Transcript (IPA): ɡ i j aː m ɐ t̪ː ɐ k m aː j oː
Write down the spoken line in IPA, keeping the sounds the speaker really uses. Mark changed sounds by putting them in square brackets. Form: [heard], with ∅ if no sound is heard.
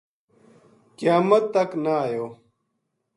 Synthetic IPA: [k] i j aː m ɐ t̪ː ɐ k [n] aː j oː